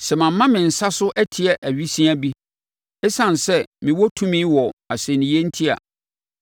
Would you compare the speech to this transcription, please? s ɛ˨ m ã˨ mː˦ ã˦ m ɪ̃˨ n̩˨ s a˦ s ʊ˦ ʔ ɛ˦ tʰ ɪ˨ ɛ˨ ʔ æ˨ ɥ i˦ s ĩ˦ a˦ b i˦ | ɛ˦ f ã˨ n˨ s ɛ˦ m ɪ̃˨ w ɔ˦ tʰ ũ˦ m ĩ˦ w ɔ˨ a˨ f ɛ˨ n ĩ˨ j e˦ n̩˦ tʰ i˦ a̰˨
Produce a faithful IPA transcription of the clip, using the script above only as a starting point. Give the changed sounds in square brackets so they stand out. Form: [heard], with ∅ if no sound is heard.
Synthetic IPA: s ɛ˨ m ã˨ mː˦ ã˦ m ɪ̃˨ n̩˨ s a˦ s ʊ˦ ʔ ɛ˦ tʰ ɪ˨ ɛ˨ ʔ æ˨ ɥ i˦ s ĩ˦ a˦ b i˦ | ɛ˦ [s] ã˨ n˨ s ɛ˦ m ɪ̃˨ w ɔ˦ tʰ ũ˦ m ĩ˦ w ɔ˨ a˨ [s] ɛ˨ n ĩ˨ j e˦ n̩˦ tʰ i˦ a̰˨